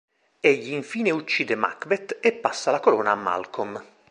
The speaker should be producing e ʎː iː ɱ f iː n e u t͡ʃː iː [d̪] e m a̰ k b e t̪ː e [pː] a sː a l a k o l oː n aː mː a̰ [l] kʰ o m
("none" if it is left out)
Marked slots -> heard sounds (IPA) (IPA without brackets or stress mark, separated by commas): d̪, pː, l